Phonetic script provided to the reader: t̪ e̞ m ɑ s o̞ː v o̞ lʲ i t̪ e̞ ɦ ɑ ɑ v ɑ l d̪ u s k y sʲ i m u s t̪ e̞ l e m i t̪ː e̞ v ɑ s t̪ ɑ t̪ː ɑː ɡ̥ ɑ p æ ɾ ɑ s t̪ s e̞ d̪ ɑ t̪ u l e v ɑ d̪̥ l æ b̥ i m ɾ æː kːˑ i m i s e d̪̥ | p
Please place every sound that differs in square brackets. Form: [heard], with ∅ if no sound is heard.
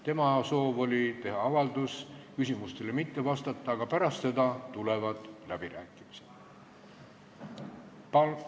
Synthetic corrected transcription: t̪ e̞ m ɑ s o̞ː v o̞ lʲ i t̪ e̞ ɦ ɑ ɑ v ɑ l d̪ u s k y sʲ i m u s t̪ e̞ l e m i t̪ː e̞ v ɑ s t̪ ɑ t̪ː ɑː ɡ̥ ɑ p æ ɾ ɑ s t̪ s e̞ d̪ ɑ t̪ u l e v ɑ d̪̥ l æ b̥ i [∅] ɾ æː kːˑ i m i s e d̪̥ | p